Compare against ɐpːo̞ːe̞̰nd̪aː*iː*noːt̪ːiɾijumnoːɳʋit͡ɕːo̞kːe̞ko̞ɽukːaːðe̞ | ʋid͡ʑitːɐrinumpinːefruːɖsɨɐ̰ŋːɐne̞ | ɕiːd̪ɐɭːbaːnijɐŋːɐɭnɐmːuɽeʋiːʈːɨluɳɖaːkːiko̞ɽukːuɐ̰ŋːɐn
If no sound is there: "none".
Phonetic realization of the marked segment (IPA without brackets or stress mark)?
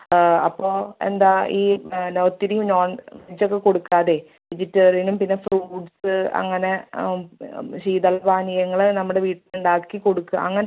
iː